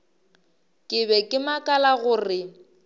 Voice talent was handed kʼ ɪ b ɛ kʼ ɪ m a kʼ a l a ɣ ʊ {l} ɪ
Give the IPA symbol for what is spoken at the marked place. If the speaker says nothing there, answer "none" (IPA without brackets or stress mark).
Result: r